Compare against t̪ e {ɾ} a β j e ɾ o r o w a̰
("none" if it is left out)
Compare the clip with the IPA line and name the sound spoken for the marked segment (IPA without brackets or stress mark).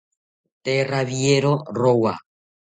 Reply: r